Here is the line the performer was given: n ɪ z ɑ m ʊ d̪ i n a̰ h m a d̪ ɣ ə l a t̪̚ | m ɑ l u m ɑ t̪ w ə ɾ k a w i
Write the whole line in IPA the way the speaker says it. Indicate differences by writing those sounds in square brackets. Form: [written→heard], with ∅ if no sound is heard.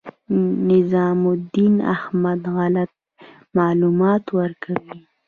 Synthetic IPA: n ɪ z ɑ m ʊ d̪ i n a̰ h m a d̪ ɣ [ə→a] l a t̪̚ | m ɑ l u m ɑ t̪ w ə ɾ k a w i